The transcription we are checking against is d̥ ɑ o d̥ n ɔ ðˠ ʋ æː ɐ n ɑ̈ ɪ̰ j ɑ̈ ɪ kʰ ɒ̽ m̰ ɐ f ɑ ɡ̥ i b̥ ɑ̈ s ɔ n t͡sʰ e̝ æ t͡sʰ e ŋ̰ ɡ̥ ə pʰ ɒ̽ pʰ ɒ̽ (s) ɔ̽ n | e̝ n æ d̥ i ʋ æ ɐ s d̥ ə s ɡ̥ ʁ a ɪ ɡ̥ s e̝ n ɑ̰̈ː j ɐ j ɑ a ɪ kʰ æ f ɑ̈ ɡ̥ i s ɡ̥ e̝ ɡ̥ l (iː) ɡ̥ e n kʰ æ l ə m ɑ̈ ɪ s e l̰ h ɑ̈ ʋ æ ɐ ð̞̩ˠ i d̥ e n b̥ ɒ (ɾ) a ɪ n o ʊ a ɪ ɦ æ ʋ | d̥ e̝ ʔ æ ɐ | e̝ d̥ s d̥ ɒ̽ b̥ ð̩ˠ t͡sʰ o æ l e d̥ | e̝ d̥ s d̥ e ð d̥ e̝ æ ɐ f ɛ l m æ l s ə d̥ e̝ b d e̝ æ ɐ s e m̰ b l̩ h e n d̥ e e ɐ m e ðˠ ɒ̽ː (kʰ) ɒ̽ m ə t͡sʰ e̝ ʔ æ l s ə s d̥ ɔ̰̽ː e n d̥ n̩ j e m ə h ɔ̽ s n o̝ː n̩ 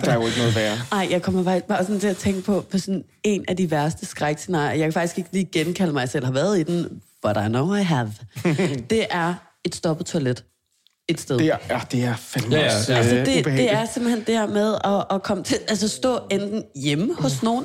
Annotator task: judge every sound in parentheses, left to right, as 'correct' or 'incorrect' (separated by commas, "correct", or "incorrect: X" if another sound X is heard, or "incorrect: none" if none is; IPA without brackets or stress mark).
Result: correct, correct, correct, correct